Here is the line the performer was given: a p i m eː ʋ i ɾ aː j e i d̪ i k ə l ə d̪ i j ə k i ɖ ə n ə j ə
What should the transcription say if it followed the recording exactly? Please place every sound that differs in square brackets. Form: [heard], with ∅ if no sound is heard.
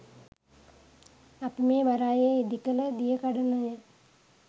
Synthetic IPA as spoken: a p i m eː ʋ [a] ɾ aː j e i d̪ i k ə l ə d̪ i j ə k [a] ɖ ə n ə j ə